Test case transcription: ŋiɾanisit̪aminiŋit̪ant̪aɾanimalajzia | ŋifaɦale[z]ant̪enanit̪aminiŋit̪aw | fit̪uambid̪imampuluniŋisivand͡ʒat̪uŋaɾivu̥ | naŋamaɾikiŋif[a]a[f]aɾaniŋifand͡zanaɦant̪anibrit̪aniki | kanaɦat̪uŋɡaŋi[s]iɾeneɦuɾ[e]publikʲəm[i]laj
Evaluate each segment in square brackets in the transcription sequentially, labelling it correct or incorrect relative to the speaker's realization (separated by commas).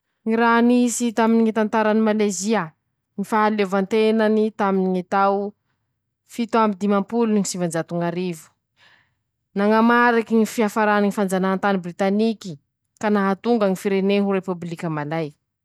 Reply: incorrect, incorrect, correct, incorrect, correct, incorrect